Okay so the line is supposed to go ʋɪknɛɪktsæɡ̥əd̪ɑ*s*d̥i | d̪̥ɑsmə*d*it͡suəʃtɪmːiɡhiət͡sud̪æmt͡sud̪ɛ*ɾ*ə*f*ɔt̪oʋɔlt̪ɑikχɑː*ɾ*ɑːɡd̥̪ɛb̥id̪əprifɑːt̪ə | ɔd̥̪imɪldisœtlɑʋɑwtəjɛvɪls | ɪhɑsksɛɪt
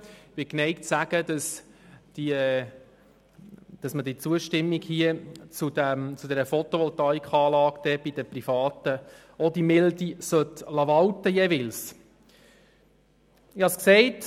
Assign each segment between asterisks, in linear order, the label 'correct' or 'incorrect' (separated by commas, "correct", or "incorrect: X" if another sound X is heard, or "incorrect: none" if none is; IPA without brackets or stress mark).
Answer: correct, correct, correct, correct, incorrect: l